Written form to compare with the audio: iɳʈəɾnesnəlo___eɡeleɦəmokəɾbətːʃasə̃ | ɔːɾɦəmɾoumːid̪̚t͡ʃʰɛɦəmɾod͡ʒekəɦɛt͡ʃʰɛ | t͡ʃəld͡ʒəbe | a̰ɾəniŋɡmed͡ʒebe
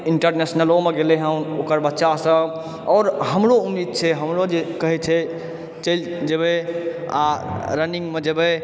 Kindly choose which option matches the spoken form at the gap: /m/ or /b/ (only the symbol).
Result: m